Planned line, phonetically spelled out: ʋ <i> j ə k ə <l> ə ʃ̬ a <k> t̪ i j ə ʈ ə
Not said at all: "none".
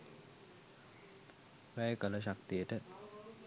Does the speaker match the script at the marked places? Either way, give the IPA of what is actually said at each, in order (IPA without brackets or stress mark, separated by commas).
æ, l, k